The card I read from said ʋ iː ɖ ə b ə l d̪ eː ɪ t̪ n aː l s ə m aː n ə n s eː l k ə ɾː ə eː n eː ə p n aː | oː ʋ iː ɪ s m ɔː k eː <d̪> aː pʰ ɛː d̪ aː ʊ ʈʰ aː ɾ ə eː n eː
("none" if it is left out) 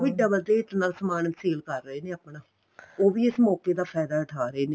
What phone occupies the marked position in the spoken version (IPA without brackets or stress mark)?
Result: d̪